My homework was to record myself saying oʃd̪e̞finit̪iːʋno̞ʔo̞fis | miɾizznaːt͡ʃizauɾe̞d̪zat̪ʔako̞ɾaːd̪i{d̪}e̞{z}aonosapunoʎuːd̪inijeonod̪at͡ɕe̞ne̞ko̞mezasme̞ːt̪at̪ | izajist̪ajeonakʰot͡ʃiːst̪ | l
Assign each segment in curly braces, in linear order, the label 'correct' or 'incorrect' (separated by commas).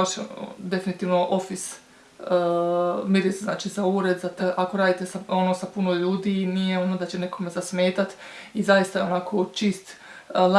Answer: incorrect, incorrect